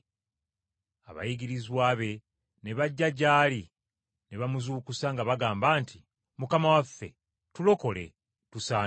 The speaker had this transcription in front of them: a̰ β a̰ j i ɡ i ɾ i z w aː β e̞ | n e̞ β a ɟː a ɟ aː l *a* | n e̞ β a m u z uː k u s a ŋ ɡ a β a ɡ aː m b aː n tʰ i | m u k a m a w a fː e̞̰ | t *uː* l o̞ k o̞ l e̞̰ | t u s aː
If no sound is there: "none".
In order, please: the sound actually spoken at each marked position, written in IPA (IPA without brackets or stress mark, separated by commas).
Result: i, u